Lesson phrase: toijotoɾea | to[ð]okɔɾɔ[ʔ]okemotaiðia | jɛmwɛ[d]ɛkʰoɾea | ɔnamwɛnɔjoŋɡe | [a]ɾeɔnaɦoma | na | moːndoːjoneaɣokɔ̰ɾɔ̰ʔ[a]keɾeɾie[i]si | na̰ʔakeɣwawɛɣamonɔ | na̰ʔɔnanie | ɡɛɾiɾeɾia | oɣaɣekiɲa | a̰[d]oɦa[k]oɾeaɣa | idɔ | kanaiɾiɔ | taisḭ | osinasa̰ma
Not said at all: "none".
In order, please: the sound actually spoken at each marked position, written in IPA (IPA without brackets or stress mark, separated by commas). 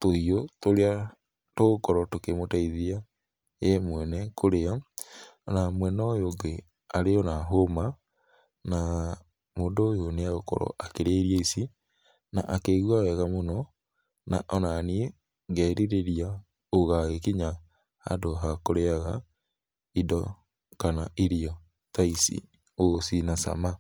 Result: ɣ, t, n, a, a, i, d, k